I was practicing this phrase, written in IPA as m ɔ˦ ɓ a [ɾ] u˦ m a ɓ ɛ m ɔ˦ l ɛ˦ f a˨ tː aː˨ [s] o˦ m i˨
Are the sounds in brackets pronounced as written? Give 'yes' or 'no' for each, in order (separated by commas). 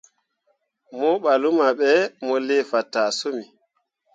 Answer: no, yes